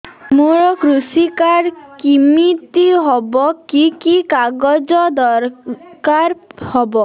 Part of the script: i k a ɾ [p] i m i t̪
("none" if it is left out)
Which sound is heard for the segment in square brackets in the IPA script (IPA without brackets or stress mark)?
k